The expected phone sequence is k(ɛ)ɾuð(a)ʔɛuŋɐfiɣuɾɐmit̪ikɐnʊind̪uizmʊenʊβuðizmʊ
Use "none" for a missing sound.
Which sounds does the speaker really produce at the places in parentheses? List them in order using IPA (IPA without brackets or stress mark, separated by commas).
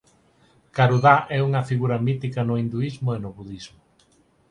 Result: a, a